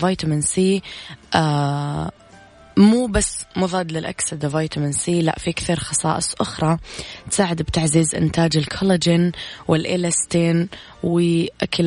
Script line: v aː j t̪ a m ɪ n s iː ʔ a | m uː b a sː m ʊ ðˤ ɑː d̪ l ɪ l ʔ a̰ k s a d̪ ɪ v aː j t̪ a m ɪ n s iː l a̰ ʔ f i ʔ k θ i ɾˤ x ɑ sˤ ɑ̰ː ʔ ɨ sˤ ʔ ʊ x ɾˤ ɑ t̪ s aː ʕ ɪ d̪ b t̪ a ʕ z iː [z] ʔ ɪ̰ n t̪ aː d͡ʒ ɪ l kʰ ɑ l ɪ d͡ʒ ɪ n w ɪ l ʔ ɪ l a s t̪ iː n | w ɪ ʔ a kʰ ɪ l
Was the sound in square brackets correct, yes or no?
yes